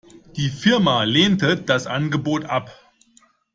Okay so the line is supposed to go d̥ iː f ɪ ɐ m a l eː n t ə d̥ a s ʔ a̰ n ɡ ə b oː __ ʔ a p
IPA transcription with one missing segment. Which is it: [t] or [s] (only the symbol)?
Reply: t